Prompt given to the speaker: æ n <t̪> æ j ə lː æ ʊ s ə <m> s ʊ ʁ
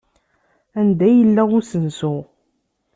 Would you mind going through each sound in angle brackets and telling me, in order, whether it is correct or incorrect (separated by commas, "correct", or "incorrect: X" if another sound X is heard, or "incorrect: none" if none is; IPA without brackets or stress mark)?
incorrect: d̪, incorrect: n